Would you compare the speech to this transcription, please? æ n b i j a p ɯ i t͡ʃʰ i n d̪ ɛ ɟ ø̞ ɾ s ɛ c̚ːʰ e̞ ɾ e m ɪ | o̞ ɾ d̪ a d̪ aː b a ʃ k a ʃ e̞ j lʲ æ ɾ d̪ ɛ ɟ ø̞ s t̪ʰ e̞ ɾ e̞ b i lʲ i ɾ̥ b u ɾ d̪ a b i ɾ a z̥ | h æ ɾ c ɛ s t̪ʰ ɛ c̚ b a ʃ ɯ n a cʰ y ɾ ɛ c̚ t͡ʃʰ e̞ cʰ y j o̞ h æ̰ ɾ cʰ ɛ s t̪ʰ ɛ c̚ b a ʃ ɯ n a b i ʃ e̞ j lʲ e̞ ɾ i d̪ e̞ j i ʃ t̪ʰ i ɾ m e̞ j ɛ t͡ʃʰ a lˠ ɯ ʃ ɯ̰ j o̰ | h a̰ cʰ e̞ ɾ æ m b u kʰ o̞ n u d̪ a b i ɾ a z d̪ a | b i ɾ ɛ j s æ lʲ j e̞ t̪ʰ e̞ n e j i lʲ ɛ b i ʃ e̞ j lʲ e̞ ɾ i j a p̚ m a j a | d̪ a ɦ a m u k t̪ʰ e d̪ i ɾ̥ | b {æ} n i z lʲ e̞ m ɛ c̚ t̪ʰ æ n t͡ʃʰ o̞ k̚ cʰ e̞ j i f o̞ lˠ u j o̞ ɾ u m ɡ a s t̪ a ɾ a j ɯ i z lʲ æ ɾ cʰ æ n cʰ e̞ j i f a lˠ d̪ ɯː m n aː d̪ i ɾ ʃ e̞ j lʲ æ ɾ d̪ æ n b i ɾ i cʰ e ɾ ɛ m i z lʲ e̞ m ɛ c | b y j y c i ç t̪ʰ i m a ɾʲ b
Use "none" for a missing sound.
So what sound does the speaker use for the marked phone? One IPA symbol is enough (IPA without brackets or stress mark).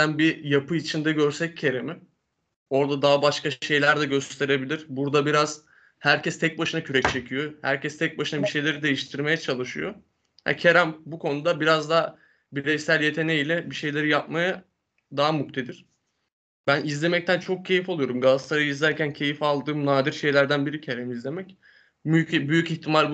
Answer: æ